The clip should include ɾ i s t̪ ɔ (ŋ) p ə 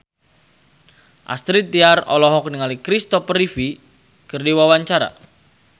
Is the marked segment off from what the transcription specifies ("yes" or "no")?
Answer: yes